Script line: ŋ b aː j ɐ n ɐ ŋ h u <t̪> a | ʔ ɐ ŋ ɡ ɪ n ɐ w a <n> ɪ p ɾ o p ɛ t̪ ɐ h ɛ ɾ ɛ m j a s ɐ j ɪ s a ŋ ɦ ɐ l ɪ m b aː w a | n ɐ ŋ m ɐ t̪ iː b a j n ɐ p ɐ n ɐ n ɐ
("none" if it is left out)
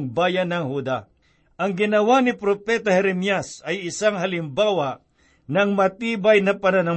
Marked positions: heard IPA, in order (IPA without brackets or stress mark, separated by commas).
d̪, n